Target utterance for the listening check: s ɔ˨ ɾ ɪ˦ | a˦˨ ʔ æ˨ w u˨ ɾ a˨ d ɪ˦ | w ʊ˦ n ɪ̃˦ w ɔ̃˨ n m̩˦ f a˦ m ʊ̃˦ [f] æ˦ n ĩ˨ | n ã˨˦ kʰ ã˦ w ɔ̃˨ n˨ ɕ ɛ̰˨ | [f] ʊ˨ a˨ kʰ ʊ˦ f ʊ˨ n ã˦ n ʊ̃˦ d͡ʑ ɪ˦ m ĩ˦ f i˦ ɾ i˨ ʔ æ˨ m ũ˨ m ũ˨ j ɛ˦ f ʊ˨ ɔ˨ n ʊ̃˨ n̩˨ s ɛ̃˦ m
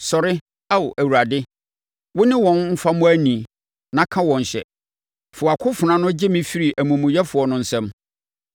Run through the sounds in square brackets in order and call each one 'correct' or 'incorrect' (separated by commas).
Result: incorrect, correct